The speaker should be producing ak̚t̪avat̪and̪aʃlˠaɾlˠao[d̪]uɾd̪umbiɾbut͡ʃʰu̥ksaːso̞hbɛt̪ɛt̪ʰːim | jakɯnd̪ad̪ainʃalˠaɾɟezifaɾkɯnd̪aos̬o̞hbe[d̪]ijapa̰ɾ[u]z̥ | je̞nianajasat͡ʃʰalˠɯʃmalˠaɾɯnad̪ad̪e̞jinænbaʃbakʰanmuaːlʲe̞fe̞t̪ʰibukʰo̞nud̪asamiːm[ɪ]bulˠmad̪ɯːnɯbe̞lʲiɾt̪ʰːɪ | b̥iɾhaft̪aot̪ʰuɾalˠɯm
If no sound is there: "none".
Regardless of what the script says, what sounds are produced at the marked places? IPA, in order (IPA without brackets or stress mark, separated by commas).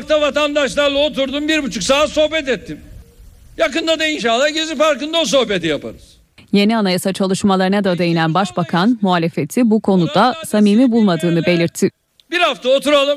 t̪, t̪, ɯ, i